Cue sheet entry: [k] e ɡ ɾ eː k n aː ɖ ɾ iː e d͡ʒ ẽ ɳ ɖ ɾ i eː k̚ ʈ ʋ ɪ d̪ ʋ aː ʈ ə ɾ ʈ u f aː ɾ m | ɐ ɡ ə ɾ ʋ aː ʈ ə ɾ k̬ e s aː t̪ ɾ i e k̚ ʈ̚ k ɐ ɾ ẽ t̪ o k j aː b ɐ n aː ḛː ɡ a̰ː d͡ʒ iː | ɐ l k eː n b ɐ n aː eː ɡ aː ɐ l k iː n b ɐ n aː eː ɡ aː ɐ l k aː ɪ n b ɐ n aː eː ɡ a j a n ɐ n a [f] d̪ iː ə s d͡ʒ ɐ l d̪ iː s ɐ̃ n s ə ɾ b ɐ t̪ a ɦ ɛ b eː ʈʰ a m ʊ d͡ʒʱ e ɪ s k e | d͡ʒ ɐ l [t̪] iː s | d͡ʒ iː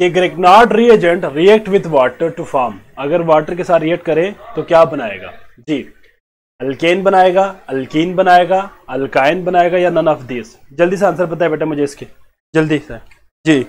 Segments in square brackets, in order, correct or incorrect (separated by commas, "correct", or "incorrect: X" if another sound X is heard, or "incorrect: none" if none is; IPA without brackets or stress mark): correct, correct, incorrect: d̪